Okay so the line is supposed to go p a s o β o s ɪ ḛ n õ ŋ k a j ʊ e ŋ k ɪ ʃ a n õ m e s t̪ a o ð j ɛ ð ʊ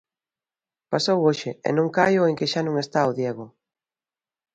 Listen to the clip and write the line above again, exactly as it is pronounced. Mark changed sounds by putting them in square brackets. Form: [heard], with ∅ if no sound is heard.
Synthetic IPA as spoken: p a s o [w] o [ʃ] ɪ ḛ n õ ŋ k a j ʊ e ŋ k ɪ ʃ a n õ [ŋ] e s t̪ a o ð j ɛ [ɣ] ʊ